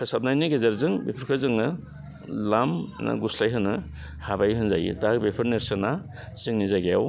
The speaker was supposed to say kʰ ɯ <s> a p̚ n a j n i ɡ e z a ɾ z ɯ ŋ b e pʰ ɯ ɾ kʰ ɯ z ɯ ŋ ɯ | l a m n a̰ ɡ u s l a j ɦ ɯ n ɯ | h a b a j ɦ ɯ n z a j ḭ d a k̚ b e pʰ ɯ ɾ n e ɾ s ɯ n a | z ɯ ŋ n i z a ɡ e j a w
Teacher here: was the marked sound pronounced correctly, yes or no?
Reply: yes